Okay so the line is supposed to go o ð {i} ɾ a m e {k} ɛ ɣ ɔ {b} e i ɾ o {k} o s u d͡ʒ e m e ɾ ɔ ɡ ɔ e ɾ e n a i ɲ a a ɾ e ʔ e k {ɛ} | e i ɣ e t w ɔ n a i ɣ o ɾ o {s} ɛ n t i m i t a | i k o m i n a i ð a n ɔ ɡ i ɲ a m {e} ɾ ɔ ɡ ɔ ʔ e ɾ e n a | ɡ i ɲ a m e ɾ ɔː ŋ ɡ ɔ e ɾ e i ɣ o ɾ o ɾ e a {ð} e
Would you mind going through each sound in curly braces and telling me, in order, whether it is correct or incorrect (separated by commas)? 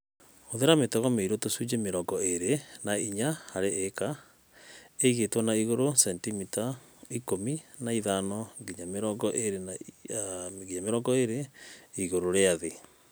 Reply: incorrect, incorrect, incorrect, incorrect, incorrect, correct, correct, correct